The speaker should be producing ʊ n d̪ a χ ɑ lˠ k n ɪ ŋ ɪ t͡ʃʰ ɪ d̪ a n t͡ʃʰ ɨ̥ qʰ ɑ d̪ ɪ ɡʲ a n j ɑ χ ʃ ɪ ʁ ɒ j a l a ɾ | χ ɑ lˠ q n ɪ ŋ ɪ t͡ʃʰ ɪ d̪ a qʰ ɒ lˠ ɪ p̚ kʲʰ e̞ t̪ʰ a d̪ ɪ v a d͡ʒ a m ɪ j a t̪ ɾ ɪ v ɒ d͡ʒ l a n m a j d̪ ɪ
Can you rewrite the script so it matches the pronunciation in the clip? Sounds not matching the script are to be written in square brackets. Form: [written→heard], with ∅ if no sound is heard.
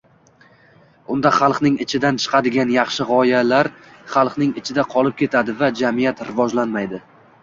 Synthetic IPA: ʊ n d̪ a χ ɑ lˠ [k→q] n ɪ ŋ ɪ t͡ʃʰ ɪ d̪ a n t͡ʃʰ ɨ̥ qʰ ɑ d̪ ɪ ɡʲ a n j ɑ χ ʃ ɪ ʁ ɒ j a l a ɾ | χ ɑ lˠ q n ɪ ŋ ɪ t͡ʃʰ ɪ d̪ a qʰ ɒ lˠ ɪ p̚ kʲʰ e̞ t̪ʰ a d̪ ɪ v a d͡ʒ a m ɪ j a t̪ ɾ ɪ v ɒ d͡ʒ l a n m a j d̪ ɪ